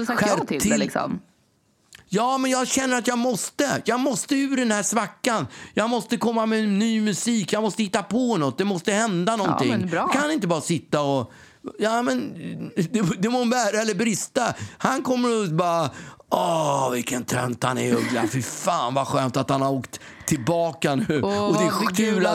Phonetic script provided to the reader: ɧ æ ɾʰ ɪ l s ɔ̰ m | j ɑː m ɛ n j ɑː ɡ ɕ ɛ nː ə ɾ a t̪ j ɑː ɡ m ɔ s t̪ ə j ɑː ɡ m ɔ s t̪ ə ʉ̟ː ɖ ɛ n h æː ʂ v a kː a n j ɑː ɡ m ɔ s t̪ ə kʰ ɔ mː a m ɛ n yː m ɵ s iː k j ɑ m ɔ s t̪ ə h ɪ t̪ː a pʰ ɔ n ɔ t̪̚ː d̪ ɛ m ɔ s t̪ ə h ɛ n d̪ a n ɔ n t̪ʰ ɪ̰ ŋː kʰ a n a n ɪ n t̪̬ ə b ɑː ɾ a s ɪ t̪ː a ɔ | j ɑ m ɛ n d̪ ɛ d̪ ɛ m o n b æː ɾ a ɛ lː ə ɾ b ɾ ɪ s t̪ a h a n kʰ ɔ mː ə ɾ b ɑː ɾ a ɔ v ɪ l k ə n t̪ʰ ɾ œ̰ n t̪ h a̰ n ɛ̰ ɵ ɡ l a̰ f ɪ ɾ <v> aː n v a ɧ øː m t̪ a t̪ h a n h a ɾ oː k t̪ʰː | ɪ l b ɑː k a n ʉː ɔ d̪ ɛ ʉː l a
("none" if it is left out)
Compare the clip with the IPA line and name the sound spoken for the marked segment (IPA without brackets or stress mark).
f